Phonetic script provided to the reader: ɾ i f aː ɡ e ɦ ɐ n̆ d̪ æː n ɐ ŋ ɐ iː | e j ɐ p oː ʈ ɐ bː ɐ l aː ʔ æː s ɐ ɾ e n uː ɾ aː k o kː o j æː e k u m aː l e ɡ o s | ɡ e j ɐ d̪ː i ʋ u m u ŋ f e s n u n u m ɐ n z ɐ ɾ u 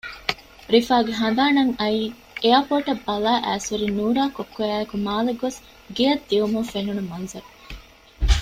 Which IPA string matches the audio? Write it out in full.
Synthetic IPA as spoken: ɾ i f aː ɡ e ɦ ɐ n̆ d̪ aː n ɐ ŋ ɐ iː | e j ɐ p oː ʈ ɐ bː ɐ l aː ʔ æː s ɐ ɾ i n uː ɾ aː k o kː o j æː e k u m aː l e ɡ o s | ɡ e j ɐ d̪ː i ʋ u m u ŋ f e n u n u m ɐ n z ɐ ɾ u